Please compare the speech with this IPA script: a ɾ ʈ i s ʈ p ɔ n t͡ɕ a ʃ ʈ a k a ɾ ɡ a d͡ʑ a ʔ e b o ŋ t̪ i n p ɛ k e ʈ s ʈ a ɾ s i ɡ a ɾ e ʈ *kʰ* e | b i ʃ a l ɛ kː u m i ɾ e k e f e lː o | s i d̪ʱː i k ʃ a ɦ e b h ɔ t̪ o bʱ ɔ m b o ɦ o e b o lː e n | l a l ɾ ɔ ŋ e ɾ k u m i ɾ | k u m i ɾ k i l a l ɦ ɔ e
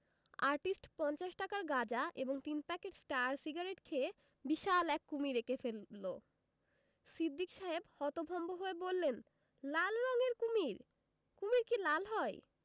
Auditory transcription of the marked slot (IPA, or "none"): kʰ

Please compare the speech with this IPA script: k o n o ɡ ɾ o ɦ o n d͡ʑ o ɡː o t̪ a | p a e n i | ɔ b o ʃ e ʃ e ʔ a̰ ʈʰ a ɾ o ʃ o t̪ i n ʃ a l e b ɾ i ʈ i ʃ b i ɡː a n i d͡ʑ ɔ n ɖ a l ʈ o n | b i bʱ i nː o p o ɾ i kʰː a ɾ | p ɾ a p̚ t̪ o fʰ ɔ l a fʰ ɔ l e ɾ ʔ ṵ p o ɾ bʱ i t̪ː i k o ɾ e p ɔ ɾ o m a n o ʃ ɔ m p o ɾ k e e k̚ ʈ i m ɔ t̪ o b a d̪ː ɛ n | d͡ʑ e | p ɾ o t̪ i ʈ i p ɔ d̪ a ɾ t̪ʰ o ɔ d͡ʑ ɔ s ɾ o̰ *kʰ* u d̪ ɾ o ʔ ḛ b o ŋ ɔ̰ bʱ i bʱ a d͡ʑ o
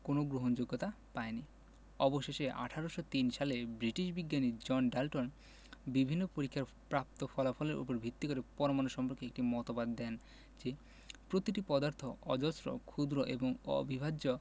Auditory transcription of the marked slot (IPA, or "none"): kʰ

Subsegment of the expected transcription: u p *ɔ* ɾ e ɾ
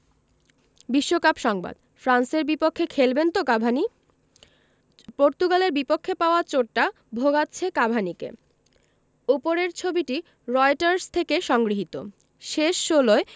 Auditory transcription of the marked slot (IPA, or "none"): o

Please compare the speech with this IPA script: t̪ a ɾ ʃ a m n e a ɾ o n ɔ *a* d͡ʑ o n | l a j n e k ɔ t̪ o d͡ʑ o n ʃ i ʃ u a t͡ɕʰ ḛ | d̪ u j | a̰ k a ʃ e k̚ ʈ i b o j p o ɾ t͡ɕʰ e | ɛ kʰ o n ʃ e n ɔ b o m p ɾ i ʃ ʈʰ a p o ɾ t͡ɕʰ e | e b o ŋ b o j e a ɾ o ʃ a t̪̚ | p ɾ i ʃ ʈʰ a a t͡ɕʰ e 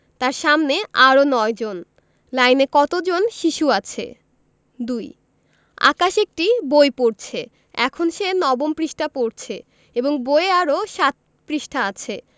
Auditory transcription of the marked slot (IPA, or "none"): e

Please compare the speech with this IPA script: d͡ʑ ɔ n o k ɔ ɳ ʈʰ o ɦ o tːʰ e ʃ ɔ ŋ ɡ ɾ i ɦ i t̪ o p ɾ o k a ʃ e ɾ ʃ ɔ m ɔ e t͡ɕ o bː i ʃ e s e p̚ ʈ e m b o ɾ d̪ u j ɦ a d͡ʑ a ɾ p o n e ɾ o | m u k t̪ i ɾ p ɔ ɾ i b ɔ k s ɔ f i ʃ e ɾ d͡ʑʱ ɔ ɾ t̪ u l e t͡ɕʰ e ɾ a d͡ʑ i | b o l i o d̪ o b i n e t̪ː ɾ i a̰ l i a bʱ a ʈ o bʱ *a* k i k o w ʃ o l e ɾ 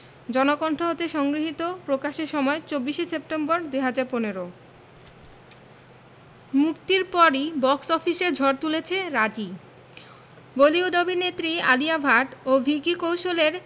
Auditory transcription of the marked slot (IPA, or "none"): i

